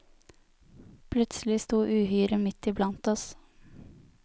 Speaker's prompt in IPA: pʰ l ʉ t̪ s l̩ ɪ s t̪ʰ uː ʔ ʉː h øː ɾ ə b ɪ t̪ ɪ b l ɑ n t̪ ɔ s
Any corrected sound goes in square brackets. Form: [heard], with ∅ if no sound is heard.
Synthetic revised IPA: pʰ l ʉ t̪ s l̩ ɪ s [t̪] uː ʔ ʉː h [yː] ɾ ə [m] ɪ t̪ ɪ b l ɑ n t̪ ɔ s